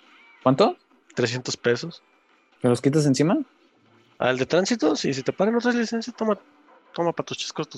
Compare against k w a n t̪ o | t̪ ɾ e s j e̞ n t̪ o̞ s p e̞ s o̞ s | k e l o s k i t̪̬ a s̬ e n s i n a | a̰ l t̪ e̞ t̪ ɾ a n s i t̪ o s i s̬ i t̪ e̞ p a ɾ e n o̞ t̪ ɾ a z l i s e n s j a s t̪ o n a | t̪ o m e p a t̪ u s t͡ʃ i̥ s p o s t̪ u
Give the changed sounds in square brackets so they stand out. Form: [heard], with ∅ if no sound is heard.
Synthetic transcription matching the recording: k w a n t̪ o | t̪ ɾ e s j e̞ n t̪ o̞ s p e̞ s o̞ s | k e l o s k i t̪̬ a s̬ e n s i [m] a | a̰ l [d̪] e̞ t̪ ɾ a n s i t̪ o s i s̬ i t̪ e̞ p a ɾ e n o̞ t̪ ɾ a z l i s e n s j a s t̪ o [m] a | t̪ o m [a] p a t̪ u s t͡ʃ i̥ s [k] o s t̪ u